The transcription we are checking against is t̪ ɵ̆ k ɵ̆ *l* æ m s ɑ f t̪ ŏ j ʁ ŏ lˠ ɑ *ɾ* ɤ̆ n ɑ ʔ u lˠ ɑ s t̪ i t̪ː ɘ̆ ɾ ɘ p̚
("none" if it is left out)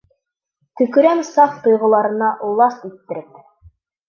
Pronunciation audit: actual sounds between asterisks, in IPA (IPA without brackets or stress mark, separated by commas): ɾ, ɾ